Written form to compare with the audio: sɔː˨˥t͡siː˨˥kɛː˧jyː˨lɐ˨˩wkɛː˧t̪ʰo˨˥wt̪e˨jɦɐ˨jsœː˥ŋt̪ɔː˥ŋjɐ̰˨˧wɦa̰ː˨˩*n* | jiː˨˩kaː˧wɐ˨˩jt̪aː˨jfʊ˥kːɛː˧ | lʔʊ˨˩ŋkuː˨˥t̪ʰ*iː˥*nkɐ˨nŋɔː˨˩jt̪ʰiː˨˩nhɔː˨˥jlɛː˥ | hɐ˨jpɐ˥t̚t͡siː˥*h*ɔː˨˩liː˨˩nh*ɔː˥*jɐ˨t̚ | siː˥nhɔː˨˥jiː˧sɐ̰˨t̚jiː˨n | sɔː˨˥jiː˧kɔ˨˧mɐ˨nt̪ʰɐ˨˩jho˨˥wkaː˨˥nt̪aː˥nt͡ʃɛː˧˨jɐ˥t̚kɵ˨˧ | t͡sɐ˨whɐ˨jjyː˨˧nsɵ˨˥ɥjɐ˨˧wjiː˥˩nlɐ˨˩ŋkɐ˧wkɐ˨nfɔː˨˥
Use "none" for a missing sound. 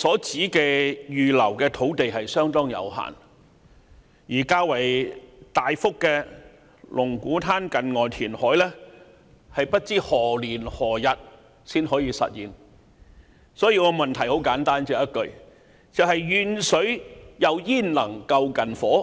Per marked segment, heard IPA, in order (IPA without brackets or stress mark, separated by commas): n, aː˥, h, ɔː˨˩